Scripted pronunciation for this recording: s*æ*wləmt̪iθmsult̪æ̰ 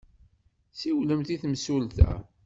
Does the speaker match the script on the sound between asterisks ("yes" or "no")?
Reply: no